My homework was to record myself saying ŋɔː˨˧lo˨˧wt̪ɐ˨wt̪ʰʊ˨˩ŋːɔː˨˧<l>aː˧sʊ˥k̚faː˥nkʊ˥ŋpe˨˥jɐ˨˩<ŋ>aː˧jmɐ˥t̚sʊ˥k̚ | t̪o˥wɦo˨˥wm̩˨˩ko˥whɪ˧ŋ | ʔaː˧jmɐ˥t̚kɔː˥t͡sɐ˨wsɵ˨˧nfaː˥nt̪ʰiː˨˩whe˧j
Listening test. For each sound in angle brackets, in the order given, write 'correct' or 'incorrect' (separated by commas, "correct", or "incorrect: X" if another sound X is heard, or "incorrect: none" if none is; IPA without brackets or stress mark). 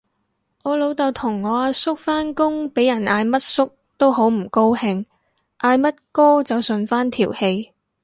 incorrect: none, incorrect: n